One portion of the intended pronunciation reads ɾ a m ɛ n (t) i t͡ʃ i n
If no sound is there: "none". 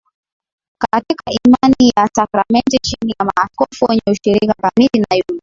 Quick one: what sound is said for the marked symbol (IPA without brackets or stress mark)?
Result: t